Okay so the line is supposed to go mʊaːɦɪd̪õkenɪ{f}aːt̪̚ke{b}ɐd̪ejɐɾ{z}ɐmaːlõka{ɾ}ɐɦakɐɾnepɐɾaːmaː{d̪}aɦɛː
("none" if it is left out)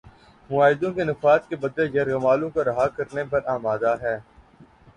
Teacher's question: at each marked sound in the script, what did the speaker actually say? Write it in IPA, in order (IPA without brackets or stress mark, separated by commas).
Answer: f, b, ɣ, ɾ, d̪